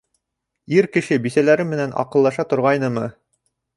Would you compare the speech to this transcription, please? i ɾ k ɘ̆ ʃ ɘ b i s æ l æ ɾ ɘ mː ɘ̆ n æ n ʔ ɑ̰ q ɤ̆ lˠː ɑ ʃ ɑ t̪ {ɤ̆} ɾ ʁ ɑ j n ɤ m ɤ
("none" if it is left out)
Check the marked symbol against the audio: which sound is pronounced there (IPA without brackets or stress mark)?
ŏ